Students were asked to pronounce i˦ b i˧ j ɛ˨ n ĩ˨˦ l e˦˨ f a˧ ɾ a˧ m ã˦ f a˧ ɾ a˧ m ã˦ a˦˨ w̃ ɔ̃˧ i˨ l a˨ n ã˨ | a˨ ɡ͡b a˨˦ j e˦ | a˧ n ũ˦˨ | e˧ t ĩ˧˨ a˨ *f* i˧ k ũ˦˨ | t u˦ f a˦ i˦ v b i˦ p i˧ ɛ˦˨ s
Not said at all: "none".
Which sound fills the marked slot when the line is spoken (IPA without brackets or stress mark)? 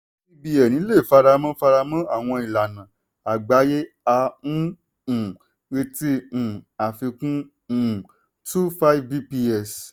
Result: f